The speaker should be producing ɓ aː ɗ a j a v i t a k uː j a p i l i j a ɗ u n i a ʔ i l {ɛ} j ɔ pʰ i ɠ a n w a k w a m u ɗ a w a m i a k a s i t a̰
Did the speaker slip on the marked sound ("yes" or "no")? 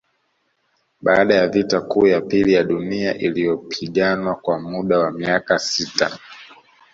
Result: yes